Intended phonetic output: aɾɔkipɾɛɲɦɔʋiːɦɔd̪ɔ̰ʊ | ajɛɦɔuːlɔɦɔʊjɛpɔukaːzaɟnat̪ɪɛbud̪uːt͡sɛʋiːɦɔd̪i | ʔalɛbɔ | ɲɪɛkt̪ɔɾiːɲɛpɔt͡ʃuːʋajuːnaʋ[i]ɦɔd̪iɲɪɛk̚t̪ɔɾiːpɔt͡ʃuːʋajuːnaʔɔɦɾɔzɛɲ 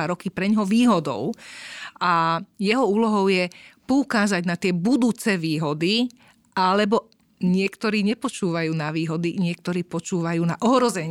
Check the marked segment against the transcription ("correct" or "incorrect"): incorrect